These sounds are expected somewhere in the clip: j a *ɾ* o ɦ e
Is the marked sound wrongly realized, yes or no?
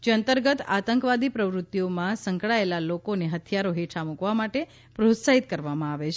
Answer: no